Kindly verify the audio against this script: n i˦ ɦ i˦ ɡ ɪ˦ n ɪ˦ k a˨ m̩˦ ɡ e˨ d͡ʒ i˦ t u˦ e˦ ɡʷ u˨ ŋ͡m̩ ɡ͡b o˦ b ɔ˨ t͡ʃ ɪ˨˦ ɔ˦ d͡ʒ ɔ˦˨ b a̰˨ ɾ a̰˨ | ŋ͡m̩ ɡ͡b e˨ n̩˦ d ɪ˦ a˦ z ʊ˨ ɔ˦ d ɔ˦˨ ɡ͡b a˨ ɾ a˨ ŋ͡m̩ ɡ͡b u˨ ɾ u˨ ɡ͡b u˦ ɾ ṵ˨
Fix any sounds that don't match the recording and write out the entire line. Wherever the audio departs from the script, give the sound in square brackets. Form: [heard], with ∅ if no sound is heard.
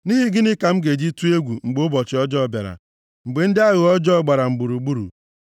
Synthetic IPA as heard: n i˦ ɦ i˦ ɡ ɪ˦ n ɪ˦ k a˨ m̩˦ ɡ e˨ d͡ʒ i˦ t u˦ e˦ ɡʷ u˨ ŋ͡m̩ ɡ͡b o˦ b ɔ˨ t͡ʃ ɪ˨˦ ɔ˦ d͡ʒ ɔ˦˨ b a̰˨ ɾ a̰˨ | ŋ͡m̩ ɡ͡b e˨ n̩˦ d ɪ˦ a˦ [ɣ] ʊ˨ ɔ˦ [d͡ʒ] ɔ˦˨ ɡ͡b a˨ ɾ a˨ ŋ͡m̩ ɡ͡b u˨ ɾ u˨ ɡ͡b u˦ ɾ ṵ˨